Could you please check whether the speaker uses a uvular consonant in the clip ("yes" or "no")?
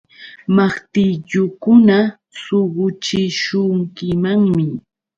yes